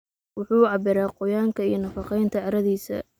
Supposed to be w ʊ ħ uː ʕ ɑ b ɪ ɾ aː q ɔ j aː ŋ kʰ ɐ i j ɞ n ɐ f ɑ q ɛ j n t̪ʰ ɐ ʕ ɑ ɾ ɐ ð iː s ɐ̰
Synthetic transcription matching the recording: w ʊ ħ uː ʕ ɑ b ɪ ɾ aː q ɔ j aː ŋ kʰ ɐ i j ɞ n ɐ f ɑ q ɛ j n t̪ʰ ɐ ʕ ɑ ɾ ɐ ð iː s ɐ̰